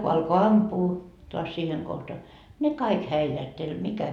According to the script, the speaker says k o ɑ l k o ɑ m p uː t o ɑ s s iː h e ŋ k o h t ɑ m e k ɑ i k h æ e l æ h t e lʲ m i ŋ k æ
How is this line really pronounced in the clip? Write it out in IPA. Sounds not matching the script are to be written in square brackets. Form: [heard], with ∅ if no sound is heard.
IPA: k o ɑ l k o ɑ m p uː t o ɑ s s iː h e ŋ k o h t ɑ [n] e k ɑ i k h æ [i] l æ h t e lʲ m i [∅] k æ